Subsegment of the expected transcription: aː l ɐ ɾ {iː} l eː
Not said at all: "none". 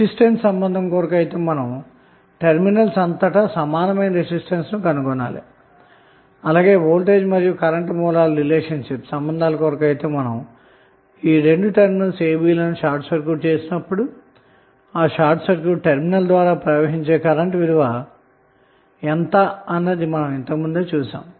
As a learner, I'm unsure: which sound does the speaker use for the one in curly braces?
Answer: i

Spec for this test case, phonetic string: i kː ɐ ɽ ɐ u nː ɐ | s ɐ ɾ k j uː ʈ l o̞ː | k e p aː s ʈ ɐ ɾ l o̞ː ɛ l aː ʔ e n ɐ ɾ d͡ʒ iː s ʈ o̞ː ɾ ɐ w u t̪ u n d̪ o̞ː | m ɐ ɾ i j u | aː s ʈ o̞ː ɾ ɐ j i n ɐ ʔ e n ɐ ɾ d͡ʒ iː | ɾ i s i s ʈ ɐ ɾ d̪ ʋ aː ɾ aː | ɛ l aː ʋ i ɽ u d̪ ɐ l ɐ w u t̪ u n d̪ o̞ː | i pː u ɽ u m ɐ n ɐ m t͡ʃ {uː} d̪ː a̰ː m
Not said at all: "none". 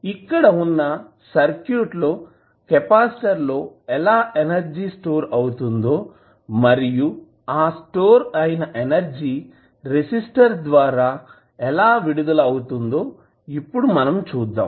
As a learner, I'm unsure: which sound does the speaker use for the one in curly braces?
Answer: uː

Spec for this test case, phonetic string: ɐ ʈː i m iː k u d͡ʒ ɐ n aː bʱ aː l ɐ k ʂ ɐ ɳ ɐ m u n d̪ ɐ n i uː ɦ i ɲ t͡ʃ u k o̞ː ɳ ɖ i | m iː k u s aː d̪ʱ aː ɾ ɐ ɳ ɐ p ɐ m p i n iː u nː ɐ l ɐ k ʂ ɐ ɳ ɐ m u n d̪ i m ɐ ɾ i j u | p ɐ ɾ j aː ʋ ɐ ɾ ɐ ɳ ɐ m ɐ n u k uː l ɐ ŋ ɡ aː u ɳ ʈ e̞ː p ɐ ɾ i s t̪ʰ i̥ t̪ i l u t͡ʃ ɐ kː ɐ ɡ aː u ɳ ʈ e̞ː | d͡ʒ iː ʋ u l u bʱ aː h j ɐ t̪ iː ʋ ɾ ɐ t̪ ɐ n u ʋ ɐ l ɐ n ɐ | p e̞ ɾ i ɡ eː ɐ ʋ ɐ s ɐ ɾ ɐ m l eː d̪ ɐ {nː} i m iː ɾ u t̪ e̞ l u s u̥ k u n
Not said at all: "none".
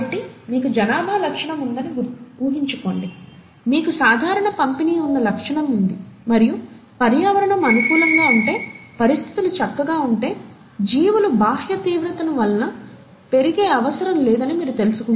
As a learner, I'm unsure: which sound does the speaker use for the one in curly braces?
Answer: n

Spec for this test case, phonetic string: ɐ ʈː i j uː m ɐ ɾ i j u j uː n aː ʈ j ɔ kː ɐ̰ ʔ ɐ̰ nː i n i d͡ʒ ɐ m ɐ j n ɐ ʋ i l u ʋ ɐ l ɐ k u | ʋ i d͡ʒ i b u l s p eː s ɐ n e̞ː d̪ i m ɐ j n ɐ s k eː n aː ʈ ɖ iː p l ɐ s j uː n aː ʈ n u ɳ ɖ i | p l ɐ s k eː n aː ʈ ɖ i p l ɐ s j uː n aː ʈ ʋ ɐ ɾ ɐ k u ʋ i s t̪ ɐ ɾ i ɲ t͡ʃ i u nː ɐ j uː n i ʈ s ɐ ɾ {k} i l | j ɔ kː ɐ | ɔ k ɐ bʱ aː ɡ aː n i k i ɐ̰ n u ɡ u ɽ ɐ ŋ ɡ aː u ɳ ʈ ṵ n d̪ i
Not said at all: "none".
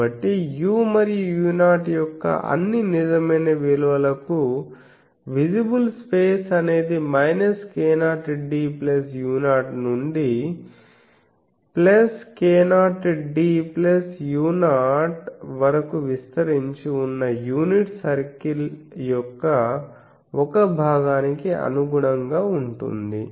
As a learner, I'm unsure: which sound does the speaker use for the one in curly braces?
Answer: k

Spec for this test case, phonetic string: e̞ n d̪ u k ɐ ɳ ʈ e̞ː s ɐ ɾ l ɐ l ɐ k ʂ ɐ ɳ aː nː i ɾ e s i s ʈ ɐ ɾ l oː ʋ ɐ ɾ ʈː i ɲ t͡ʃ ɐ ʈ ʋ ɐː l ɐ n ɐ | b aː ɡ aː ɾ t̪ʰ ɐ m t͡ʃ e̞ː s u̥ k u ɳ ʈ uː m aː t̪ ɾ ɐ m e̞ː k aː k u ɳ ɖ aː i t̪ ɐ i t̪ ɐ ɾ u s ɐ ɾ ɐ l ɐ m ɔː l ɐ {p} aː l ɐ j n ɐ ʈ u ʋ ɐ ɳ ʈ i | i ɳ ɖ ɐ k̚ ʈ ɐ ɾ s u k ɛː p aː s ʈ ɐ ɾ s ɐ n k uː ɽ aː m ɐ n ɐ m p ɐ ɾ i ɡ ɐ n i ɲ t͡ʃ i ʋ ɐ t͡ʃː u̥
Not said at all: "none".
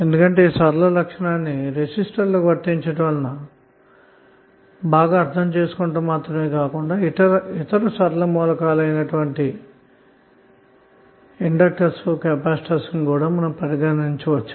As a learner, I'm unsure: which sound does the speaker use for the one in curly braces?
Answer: k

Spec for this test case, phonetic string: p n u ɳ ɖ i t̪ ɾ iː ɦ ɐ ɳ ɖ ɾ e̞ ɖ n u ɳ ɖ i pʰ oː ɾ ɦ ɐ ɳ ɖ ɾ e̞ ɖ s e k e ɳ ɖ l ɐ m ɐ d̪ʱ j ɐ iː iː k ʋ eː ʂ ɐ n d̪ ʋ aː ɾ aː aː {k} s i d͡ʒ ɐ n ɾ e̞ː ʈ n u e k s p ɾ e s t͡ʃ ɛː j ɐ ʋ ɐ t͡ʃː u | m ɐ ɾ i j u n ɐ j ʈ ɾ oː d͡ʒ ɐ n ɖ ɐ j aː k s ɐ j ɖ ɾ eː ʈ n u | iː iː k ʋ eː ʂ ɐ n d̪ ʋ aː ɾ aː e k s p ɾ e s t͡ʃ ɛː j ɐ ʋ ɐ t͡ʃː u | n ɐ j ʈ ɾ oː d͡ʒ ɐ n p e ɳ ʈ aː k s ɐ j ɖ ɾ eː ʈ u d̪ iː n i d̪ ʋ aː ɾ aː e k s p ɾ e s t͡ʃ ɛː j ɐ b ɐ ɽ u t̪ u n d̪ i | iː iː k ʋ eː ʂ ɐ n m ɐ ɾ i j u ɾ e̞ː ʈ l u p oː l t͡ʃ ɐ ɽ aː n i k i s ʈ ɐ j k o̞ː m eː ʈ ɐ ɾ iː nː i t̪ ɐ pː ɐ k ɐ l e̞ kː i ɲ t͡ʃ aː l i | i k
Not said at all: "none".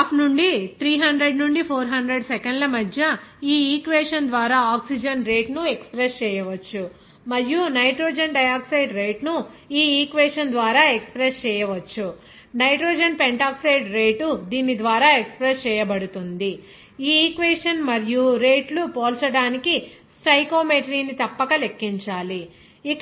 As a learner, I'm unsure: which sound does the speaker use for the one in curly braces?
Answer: k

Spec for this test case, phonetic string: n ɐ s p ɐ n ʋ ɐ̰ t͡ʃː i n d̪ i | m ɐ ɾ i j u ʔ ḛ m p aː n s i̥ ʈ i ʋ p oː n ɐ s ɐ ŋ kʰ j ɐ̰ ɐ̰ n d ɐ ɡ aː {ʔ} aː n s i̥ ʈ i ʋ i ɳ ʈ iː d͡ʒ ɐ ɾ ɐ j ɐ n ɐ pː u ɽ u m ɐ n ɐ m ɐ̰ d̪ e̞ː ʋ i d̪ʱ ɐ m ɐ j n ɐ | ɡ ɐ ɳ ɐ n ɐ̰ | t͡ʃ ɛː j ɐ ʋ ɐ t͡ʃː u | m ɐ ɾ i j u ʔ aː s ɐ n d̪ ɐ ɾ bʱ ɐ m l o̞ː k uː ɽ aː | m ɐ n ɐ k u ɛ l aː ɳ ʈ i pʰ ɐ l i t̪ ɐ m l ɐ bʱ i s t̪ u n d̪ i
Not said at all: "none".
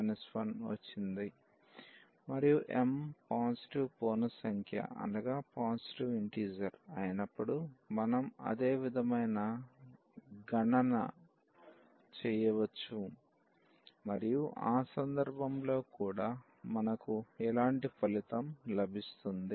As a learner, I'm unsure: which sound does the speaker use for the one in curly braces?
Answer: p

